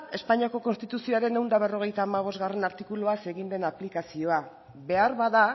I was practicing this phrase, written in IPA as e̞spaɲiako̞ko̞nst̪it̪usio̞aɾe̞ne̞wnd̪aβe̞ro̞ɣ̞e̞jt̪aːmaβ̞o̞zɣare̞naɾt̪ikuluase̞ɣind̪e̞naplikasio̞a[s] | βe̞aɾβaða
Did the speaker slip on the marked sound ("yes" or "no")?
yes